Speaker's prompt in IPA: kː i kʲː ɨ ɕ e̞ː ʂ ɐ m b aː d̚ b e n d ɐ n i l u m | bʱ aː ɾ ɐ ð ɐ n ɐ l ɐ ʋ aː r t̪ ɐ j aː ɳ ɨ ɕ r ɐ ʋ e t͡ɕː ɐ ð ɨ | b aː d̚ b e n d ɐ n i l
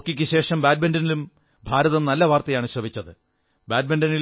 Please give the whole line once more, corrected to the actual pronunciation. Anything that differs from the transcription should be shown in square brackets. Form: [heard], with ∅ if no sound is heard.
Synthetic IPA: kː i kʲː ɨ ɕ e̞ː ʂ ɐ m b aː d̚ b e n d ɐ n i l u m | bʱ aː ɾ ɐ ð ɐ n ɐ [lː] ɐ ʋ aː r t̪ ɐ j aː ɳ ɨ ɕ r ɐ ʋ [i] t͡ɕː ɐ ð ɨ | b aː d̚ b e n d ɐ n i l